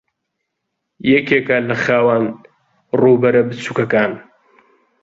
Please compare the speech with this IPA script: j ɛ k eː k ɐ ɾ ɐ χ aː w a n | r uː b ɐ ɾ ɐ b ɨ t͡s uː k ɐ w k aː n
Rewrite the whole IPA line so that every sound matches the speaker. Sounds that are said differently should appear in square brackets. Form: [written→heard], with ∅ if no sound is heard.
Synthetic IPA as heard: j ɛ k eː k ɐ [ɾ→l] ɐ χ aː w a n | r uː b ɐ ɾ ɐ b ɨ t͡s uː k ɐ [w→∅] k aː n